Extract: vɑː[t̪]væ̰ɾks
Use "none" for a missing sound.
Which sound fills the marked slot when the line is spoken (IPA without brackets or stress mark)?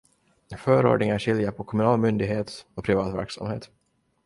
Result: t̪